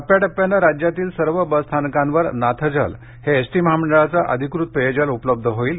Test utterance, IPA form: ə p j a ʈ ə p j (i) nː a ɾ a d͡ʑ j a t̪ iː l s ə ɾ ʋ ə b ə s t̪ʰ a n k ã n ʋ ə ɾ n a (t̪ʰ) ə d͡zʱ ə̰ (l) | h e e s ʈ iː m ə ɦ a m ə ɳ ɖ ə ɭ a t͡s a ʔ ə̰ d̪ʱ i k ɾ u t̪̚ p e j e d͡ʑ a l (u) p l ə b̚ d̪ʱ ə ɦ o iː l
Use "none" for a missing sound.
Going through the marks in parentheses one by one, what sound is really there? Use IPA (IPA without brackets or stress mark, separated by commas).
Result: a, t̪ʰ, l, u